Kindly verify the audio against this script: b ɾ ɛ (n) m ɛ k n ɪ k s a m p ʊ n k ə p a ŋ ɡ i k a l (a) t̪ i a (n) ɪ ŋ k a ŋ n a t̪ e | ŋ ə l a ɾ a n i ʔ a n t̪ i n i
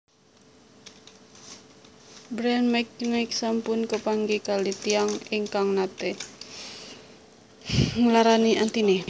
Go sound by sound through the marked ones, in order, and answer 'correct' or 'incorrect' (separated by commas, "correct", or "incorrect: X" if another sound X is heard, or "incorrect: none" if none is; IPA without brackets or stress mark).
correct, incorrect: i, incorrect: ŋ